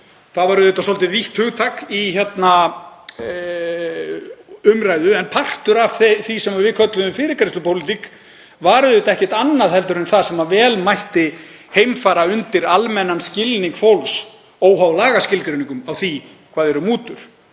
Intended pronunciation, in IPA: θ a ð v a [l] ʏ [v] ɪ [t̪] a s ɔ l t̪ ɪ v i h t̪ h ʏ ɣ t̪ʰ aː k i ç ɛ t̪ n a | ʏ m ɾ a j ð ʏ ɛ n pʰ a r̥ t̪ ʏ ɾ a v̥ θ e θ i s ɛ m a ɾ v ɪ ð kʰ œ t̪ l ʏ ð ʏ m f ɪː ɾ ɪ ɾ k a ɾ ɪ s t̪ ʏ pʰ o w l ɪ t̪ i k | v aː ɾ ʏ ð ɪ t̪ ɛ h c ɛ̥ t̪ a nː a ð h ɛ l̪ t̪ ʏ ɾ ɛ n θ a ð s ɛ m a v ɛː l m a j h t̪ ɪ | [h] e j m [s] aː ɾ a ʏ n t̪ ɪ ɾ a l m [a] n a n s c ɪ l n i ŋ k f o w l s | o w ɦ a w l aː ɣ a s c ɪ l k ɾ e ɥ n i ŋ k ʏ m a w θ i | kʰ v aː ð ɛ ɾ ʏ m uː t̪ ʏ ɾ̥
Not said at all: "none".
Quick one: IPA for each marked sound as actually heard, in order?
ɾ, ð, t̪, h, f, ɛ

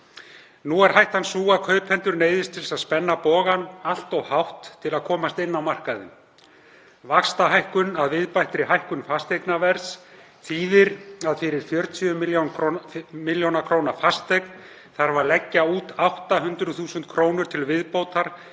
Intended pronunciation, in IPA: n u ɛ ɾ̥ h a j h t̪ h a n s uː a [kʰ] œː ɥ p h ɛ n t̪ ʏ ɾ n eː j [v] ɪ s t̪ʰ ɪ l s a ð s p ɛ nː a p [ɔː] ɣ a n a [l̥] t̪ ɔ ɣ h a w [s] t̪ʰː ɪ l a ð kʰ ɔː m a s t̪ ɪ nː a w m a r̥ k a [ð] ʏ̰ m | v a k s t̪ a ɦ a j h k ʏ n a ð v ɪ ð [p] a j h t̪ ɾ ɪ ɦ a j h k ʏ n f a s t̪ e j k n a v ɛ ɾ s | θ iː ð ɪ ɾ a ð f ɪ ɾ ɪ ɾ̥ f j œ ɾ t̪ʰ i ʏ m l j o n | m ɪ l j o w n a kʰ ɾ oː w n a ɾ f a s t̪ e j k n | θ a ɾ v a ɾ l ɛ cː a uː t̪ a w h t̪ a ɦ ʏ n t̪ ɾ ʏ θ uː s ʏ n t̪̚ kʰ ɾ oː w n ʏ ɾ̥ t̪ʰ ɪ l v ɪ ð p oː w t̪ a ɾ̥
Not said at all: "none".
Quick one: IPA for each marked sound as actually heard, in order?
kʰ, ð, ɔː, l̥, h, ð, p

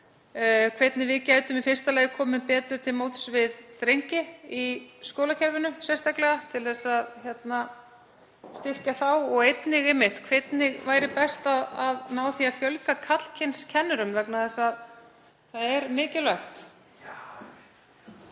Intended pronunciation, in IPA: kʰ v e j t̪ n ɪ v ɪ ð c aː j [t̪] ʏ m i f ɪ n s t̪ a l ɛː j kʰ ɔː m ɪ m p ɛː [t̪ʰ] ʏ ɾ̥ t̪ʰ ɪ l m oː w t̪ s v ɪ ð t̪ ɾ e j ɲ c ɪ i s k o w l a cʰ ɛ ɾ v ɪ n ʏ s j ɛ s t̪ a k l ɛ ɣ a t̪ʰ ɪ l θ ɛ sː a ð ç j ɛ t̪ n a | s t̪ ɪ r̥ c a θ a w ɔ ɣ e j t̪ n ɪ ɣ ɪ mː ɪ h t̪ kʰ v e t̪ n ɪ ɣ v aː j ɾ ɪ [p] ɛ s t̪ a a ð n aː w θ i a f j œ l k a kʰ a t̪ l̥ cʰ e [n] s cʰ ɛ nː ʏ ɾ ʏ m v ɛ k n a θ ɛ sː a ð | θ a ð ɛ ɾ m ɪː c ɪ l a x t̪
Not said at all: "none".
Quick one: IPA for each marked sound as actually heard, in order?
t̪, t̪, p, n

